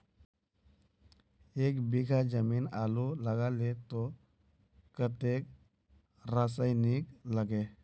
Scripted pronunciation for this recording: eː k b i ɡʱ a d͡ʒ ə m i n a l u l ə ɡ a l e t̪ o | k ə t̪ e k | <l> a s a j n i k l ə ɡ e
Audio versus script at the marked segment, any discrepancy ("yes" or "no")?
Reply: yes